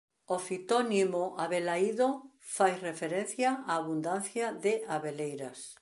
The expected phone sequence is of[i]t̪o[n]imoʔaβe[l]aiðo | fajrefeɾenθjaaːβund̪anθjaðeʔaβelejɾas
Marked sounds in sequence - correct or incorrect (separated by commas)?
correct, correct, correct